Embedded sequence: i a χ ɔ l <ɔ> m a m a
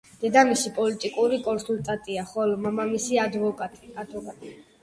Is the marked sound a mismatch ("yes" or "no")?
no